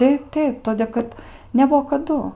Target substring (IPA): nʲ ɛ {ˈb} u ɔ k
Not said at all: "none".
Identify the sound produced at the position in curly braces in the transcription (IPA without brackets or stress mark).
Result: b